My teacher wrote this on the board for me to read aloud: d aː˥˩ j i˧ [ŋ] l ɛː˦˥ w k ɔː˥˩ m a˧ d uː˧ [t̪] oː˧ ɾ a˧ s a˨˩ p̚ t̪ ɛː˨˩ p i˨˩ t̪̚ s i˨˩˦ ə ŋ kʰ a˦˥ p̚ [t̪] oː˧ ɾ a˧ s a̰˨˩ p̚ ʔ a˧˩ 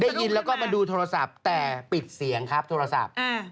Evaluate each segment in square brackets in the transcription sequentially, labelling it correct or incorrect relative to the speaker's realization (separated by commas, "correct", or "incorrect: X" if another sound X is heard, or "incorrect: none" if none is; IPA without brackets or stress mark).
incorrect: n, incorrect: t̪ʰ, incorrect: t̪ʰ